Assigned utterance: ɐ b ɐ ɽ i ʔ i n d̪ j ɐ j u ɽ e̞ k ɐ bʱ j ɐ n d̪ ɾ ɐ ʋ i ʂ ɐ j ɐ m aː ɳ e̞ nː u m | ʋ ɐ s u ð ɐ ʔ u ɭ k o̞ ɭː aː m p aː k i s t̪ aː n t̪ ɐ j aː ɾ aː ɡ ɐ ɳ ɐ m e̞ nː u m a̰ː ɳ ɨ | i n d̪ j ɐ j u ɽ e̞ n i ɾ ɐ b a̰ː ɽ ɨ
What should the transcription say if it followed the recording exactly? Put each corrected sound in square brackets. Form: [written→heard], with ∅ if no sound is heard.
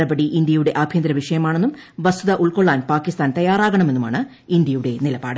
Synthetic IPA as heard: ɐ b ɐ ɽ i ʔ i n d̪ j ɐ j u ɽ e̞ [k→ʔ] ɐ bʱ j ɐ n d̪ ɾ ɐ ʋ i ʂ ɐ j ɐ m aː ɳ e̞ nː u m | ʋ ɐ s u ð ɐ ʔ u ɭ k o̞ ɭː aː [m→n] p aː k i s t̪ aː n t̪ ɐ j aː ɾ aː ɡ ɐ ɳ ɐ m e̞ nː u m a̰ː ɳ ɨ | i n d̪ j ɐ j u ɽ e̞ n i [ɾ→l] ɐ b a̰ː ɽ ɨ